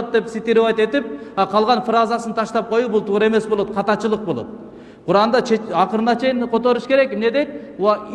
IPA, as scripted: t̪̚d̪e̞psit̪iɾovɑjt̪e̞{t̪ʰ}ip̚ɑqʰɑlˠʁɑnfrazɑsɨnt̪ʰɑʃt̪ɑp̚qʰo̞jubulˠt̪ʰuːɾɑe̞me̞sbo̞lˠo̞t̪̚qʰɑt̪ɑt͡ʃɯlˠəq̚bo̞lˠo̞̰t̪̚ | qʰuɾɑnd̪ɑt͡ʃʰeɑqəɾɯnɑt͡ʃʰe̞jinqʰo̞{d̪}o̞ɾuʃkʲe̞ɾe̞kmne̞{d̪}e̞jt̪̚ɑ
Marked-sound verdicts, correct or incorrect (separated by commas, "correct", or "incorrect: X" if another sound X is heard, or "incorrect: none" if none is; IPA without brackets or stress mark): incorrect: t̪, incorrect: t̪, correct